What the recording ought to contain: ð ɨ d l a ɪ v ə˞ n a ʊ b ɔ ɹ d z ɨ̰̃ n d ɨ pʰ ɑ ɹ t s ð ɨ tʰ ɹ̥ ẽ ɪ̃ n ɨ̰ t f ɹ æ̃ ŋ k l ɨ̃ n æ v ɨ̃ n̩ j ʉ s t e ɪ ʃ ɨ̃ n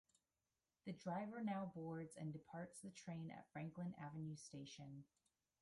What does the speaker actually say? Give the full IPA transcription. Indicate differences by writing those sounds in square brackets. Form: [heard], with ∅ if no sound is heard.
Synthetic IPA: ð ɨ d [ɹ] a ɪ v ə˞ n a ʊ b ɔ ɹ d z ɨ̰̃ n d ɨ pʰ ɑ ɹ t s ð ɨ tʰ ɹ̥ ẽ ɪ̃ n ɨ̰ t f ɹ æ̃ ŋ k l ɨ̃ n æ v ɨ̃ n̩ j ʉ s t e ɪ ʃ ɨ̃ n